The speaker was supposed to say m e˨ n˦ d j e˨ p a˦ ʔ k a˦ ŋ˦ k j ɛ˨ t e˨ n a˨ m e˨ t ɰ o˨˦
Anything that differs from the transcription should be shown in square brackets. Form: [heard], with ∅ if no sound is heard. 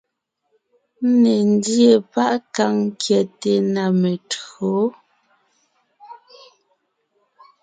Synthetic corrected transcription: [n] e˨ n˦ d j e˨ p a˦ ʔ k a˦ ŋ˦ k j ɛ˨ t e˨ n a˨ m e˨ t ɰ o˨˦